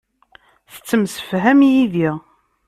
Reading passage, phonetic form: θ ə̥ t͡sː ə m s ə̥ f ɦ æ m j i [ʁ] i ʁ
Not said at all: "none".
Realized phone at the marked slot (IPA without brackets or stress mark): ð